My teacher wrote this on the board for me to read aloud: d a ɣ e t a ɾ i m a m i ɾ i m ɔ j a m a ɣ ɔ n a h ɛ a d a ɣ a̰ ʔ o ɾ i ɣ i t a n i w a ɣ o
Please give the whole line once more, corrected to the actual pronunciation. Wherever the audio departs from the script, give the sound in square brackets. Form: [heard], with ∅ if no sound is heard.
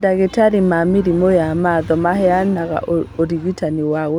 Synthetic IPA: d a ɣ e t a ɾ i m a m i ɾ i m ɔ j a m a [ð] ɔ [m] a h ɛ a [n] a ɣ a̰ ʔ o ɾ i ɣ i t a n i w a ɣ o